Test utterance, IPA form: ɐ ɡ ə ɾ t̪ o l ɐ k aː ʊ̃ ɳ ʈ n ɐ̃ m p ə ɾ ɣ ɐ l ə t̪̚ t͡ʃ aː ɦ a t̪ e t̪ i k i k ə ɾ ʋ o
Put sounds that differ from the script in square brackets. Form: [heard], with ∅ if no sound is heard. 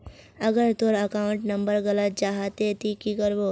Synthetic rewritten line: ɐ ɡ ə ɾ t̪ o [ɾ] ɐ k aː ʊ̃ ɳ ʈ n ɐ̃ m [b] ə ɾ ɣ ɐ l ə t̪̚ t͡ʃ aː ɦ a t̪ e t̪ i k i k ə ɾ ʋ o